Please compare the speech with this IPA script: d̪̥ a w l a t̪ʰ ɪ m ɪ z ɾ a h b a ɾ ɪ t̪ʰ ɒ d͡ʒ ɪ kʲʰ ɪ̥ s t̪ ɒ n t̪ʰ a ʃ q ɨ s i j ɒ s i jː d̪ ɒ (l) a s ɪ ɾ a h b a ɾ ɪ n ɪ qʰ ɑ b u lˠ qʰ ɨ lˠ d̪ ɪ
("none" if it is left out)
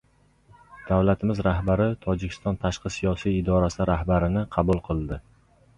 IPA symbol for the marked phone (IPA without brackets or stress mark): ɾ